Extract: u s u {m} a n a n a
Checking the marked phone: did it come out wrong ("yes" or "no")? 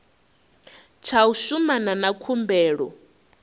no